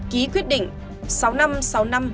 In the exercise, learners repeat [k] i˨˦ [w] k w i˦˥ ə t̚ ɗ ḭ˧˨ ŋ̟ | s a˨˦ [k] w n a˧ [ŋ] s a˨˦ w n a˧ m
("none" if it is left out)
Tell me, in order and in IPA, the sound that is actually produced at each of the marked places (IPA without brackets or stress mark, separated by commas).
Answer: k, none, none, m